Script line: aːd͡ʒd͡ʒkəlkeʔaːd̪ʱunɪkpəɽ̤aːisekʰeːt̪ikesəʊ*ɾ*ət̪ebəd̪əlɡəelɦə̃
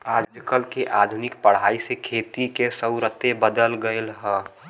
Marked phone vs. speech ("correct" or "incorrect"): correct